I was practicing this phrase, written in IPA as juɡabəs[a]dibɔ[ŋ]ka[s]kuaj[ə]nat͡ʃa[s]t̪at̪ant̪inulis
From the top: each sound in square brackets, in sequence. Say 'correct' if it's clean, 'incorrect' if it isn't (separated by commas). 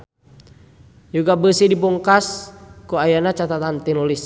incorrect, correct, correct, incorrect, incorrect